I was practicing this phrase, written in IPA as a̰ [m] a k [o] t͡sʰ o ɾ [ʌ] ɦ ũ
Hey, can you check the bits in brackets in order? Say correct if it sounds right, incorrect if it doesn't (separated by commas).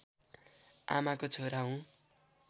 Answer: correct, correct, incorrect